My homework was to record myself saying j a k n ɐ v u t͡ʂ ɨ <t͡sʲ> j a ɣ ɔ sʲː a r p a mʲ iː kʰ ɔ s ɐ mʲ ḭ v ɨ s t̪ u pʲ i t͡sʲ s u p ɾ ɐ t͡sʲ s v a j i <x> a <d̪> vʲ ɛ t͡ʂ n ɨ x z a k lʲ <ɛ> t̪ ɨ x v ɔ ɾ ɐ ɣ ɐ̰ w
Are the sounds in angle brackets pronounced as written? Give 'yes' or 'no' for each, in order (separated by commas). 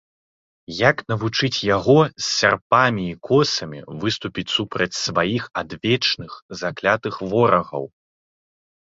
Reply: yes, yes, yes, no